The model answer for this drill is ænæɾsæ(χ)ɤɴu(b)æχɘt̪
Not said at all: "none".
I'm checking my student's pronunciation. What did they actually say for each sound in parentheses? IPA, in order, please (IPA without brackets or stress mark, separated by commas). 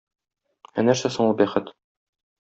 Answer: s, b